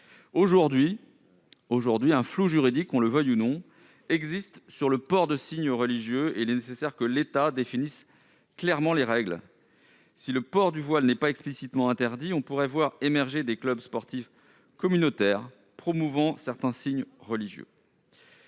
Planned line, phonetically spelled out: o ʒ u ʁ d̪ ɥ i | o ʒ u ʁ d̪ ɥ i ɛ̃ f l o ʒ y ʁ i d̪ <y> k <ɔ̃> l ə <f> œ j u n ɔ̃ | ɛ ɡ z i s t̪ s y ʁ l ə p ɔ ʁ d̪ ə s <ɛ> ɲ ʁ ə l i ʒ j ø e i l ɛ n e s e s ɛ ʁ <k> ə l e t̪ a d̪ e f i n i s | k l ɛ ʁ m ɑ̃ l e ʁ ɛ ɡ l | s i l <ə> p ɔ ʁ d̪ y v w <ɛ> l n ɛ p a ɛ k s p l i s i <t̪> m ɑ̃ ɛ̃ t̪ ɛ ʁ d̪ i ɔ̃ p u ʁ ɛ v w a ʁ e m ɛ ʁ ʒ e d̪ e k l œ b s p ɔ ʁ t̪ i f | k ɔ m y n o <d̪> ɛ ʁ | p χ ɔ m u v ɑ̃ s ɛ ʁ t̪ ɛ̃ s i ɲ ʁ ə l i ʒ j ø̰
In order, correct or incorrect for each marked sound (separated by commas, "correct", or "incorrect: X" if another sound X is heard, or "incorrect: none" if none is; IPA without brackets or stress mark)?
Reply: incorrect: i, correct, incorrect: v, incorrect: i, correct, correct, incorrect: a, correct, incorrect: t̪